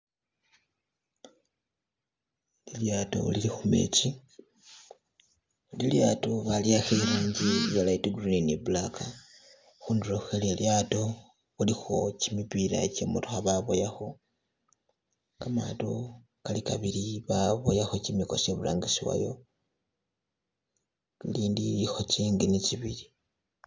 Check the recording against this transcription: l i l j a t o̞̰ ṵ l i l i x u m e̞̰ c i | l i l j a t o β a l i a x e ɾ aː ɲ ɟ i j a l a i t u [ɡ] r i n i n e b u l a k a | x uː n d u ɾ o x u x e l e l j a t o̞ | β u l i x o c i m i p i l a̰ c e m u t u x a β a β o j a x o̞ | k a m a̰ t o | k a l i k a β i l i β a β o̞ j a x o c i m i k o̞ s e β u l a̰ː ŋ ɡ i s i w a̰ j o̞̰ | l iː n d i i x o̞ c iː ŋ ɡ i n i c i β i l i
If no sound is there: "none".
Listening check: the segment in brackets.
ɡ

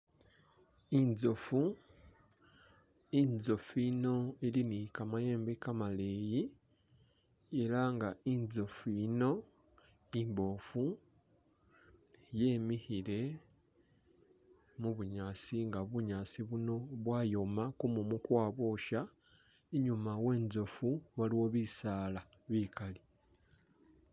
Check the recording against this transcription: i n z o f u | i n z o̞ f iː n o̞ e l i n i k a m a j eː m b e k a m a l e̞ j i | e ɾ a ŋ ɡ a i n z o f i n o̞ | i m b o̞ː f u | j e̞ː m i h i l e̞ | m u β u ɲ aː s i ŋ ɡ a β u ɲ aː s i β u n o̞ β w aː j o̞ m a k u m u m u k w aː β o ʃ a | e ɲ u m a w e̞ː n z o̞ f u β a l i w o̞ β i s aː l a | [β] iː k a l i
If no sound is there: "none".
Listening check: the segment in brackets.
β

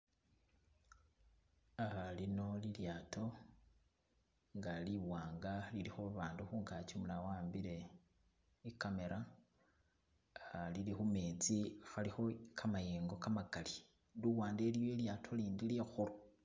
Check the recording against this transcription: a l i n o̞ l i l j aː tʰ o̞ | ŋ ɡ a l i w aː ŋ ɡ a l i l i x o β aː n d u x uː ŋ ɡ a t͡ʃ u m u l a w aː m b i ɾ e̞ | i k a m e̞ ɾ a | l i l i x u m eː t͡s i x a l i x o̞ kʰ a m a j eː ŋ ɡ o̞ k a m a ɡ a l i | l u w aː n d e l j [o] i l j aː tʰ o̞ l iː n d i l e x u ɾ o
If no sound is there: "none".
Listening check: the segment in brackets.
o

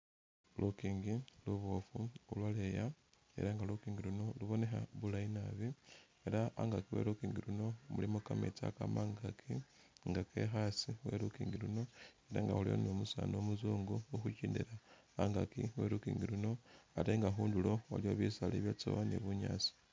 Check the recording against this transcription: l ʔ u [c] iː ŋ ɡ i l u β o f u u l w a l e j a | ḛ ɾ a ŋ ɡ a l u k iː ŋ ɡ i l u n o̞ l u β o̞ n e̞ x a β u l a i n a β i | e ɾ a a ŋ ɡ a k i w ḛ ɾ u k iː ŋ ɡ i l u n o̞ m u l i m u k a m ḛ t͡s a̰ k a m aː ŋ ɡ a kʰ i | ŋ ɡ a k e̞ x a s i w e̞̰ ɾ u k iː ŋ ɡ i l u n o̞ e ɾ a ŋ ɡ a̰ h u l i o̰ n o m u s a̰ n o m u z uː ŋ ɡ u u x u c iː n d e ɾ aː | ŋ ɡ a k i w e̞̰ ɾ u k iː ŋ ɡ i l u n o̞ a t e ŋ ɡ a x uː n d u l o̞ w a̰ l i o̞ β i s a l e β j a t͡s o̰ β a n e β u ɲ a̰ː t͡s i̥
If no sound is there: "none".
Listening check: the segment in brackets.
k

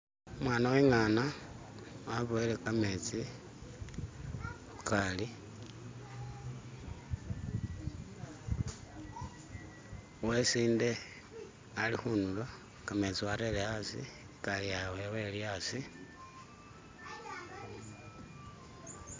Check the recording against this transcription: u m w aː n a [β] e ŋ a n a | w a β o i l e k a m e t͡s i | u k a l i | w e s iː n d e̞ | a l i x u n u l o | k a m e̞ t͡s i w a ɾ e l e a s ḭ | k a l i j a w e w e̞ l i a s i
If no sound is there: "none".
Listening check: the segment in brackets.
w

